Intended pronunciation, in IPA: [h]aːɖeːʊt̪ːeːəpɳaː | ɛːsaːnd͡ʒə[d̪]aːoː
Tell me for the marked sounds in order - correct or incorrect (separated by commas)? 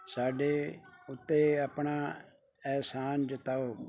incorrect, incorrect